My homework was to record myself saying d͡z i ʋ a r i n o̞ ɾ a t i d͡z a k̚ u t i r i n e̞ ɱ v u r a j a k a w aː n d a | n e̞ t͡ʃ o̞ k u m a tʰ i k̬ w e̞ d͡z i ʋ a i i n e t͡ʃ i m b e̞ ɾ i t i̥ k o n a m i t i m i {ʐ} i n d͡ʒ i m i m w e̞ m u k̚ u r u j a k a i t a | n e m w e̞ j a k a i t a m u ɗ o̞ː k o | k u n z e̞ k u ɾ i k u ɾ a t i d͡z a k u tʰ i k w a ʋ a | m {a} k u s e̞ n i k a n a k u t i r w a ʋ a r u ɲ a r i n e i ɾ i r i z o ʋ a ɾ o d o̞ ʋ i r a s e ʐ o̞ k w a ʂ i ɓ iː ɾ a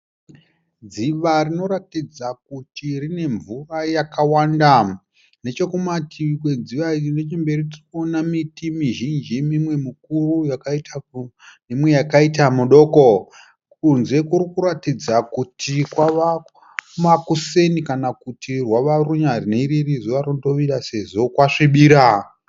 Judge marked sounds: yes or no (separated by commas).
no, yes